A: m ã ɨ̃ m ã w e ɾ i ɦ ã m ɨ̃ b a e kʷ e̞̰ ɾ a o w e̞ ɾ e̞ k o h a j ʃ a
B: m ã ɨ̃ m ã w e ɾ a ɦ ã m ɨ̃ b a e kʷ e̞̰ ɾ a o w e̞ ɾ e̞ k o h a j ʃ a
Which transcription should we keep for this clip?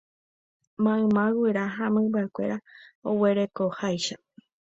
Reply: B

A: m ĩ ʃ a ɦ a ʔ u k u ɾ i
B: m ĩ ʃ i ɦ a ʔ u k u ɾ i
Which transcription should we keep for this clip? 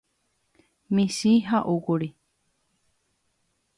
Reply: B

